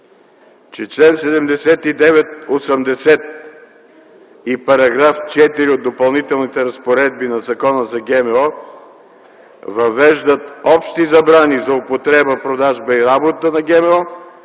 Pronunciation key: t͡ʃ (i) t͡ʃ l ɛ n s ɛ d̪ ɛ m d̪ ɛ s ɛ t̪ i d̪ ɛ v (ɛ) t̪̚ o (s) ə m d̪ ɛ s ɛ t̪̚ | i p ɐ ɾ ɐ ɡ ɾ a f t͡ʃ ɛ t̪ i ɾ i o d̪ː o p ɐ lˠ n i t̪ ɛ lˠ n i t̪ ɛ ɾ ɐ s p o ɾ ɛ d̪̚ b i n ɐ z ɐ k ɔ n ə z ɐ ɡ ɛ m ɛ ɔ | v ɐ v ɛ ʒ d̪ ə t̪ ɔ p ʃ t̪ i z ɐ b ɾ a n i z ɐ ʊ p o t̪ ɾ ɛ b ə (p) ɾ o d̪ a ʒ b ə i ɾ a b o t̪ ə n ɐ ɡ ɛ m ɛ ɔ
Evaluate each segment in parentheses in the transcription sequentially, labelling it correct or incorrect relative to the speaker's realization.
incorrect: ɛ, correct, correct, correct

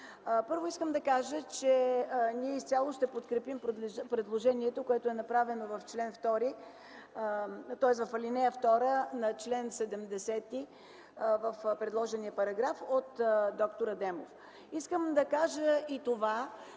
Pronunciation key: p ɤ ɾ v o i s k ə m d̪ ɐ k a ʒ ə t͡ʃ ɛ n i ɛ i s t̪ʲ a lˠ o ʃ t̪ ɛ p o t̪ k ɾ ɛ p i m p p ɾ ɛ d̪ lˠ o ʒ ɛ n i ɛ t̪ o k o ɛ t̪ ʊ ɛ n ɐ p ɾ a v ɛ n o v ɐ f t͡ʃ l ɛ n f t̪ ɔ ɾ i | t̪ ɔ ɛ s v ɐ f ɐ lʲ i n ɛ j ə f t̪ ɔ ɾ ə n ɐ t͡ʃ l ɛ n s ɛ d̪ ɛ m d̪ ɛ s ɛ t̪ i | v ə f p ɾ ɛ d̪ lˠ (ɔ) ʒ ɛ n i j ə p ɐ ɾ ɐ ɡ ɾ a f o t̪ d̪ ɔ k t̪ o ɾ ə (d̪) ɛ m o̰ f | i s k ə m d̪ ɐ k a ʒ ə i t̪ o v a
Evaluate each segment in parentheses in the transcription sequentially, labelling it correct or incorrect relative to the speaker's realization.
correct, correct

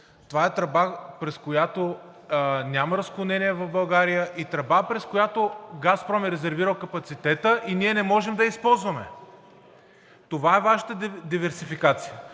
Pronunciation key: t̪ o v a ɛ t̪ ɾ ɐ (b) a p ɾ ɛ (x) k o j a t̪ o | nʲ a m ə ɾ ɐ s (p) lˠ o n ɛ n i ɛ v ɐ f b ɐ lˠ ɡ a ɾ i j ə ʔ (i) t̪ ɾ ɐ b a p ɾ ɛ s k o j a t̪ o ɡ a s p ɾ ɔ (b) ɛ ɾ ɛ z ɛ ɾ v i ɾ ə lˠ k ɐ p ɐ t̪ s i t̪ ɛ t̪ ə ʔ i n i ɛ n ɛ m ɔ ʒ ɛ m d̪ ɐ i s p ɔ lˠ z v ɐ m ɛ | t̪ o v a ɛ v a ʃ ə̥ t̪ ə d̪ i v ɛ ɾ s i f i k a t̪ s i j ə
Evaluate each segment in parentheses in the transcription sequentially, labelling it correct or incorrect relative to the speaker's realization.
correct, incorrect: s, incorrect: k, correct, incorrect: m

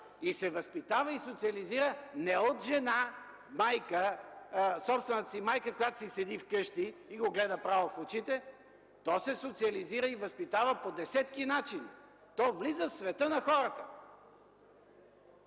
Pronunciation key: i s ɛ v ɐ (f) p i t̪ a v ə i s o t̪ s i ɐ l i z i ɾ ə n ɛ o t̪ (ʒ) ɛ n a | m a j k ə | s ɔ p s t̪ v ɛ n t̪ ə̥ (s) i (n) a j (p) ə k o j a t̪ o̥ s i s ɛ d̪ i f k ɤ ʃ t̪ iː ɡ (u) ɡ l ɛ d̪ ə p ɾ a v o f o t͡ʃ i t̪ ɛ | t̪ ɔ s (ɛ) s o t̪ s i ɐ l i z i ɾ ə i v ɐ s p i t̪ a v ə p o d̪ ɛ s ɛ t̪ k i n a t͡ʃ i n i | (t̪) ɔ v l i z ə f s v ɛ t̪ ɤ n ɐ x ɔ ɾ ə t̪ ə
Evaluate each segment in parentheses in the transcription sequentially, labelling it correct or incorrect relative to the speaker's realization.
incorrect: s, correct, correct, incorrect: m, incorrect: k, incorrect: o, correct, correct

